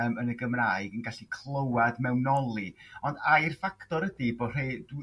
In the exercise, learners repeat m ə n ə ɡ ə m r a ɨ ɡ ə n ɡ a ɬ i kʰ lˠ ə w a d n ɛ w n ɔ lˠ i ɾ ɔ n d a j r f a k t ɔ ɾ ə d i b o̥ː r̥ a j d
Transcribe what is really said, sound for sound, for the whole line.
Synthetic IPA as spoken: m ə n ə ɡ ə m r a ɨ ɡ ə n ɡ a ɬ i kʰ lˠ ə w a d m ɛ w n ɔ lˠ i ɔ n d a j r f a k t ɔ ɾ ə d i b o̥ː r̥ e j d

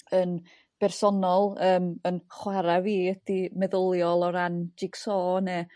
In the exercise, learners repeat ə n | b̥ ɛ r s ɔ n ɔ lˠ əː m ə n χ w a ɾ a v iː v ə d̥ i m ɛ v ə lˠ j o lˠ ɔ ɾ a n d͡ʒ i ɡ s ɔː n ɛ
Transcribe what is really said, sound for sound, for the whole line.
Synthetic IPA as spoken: ə n | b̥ ɛ r s ɔ n ɔ lˠ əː m ə n χ w a ɾ a v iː ə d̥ i m ɛ ð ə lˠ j ɔ lˠ ɔ ɾ a n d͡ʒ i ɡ s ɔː n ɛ

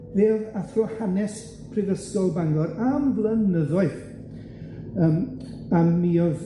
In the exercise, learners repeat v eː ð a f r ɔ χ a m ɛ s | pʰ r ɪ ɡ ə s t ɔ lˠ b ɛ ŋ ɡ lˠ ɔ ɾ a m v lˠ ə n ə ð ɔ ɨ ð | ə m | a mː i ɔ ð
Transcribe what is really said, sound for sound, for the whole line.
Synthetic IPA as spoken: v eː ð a θ r ɔ h a n ɛ s | pʰ r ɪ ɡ ə s t ɔ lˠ b a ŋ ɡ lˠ ɔ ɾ a m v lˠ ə n ə ð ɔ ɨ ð | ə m | a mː i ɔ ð

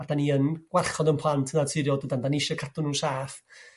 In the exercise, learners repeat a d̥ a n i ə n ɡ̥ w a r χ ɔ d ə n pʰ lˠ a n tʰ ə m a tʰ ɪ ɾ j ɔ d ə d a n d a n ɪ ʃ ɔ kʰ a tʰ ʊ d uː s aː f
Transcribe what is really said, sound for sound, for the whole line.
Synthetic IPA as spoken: a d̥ a n i ə n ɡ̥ w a r χ ɔ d ə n pʰ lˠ a n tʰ ə n a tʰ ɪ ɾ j ɔ d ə d a n d a n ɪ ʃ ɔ kʰ a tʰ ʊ n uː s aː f

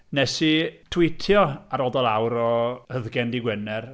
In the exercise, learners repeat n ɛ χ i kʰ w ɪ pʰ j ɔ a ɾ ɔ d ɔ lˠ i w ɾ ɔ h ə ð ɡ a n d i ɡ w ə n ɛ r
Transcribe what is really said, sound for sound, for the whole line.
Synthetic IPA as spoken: n ɛ s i tʰ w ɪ tʰ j ɔ a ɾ ɔ d ɔ lˠ a w ɾ ɔ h ə ð ɡ ɛ n d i ɡ w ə n ɛ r

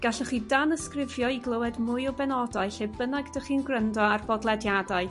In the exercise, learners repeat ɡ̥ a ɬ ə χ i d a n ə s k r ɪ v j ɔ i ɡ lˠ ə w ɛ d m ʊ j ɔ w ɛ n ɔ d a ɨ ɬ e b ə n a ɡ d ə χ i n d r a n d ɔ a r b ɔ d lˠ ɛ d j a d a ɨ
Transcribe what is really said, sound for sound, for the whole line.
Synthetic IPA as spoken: ɡ̥ a ɬ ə χ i d a n ə s k r ɪ v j ɔ i ɡ lˠ ə w ɛ d m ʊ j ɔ b ɛ n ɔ d a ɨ ɬ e b ə n a ɡ d ə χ i n ɡ r ə n d ɔ a r b ɔ d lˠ ɛ d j a d a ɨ

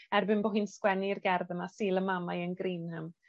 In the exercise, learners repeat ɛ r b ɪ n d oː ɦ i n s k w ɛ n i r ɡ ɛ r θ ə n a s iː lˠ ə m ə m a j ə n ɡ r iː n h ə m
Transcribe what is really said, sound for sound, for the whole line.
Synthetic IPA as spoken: ɛ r b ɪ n b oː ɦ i n s k w ɛ n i r ɡ ɛ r ð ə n a s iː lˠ ə m a m a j ə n ɡ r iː n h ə m

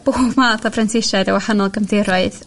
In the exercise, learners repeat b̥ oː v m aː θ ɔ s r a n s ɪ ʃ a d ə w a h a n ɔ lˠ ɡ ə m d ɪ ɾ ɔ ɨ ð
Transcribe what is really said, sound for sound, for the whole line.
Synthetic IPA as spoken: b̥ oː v m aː θ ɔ f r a n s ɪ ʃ a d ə w a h a n ɔ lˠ ɡ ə m d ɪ ɾ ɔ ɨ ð

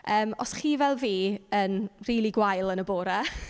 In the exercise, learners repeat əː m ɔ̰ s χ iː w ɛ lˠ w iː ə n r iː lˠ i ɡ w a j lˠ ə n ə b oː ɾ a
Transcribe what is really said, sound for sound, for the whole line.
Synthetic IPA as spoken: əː m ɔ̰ s χ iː v ɛ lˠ v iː ə n r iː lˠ i ɡ w a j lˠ ə n ə b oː ɾ a

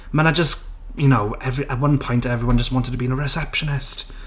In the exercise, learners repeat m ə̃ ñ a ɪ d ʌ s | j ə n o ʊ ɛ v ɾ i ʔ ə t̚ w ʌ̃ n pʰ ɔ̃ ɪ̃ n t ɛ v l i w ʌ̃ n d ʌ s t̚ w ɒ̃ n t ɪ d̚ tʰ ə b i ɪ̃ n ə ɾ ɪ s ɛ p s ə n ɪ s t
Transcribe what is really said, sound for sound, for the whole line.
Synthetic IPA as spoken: m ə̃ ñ a ɪ d͡ʒ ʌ s | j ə n o ʊ ɛ v ɹ i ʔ ə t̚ w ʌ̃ n pʰ ɔ̃ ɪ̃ n t ɛ v ɹ i w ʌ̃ n d͡ʒ ʌ s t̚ w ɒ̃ n t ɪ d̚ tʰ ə b i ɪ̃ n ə ɹ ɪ s ɛ p ʃ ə n ɪ s t

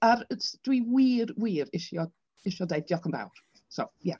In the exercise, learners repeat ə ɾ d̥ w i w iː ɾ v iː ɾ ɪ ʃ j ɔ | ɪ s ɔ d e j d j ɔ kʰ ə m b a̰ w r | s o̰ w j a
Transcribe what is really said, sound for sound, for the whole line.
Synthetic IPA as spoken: a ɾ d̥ w i w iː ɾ w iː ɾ ɪ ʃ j ɔ | ɪ ʃ ɔ d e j d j ɔ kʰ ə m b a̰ w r | s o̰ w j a

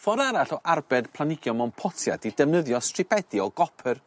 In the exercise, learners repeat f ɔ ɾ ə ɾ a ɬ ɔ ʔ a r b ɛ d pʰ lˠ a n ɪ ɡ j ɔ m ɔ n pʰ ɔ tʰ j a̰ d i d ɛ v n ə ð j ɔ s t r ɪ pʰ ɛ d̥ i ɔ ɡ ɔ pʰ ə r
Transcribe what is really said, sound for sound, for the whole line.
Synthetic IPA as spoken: f ɔ ɾ a ɾ a ɬ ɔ ʔ a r b ɛ d pʰ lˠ a n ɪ ɡ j ɔ m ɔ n pʰ ɔ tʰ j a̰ d i d ɛ v n ə ð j ɔ s t r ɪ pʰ ɛ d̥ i ɔ ɡ ɔ pʰ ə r

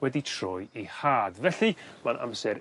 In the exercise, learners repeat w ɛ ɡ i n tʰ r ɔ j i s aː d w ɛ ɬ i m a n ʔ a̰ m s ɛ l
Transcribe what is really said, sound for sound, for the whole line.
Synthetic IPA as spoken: w ɛ d i tʰ r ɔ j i h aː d v ɛ ɬ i m a n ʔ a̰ m s ɛ ɾ

